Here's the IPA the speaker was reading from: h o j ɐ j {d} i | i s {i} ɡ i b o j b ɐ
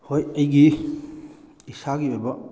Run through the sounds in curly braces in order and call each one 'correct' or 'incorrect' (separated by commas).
incorrect, incorrect